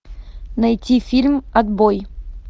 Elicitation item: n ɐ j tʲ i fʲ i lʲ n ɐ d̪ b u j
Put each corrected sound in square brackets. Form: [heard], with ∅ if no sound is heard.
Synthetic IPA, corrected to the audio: n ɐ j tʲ i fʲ i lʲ [m] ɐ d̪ b [o] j